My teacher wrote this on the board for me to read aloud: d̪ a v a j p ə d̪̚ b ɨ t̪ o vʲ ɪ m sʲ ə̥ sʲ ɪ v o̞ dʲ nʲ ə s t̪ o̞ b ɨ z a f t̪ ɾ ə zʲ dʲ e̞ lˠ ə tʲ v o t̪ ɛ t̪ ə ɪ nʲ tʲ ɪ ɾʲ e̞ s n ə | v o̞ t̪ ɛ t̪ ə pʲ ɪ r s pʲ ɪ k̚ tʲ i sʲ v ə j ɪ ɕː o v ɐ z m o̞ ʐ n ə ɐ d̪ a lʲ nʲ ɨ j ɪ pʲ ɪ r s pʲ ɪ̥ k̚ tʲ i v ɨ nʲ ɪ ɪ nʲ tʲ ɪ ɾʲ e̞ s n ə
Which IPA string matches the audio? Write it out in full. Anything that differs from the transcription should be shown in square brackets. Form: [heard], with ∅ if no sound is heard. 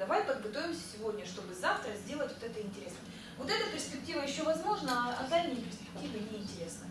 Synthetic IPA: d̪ [ɐ] v a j p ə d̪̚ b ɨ t̪ o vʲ ɪ m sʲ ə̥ sʲ ɪ v o̞ dʲ nʲ ə [ʂ] t̪ o̞ b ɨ z a f t̪ ɾ ə zʲ dʲ e̞ lˠ ə tʲ v o t̪ ɛ t̪ ə ɪ nʲ tʲ ɪ ɾʲ e̞ s n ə | v o̞ t̪ ɛ t̪ ə pʲ ɪ r s pʲ ɪ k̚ tʲ i [∅] v ə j ɪ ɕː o v ɐ z m o̞ ʐ n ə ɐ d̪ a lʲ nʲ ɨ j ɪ pʲ ɪ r s pʲ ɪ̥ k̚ tʲ i v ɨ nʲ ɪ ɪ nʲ tʲ ɪ ɾʲ e̞ s n ə